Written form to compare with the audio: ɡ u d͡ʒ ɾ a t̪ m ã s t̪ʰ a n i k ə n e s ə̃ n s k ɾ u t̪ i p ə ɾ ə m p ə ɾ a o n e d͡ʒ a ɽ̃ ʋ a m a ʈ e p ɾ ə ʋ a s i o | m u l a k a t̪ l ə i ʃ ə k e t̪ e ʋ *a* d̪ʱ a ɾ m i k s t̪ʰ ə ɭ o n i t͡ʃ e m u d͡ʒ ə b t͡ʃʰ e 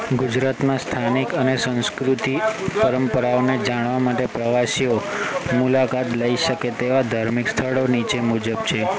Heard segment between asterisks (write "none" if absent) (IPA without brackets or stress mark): a